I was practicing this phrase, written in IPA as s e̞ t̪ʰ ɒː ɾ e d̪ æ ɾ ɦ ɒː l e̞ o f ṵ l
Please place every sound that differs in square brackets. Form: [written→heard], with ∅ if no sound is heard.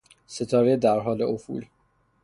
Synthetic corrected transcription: s e̞ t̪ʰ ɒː ɾ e d̪ æ ɾ ɦ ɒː l e̞ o f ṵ l